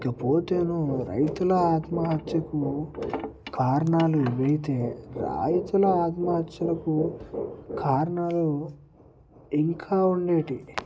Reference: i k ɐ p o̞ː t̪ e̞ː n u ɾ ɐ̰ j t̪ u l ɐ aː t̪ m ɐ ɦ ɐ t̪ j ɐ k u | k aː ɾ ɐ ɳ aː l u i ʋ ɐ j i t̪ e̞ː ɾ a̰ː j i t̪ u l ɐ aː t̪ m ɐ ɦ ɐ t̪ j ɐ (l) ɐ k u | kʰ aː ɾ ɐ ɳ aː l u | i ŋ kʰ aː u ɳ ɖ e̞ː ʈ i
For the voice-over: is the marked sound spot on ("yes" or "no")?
yes